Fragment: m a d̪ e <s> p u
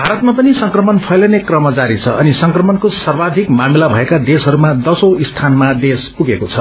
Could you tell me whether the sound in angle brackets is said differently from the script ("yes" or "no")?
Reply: no